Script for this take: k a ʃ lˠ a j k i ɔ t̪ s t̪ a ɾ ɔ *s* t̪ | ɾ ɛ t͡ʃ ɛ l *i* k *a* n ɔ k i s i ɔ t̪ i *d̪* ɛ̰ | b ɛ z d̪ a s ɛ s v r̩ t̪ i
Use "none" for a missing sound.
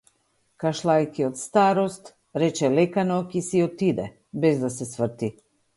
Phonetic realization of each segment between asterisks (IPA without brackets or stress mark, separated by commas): s, ɛ, a, d̪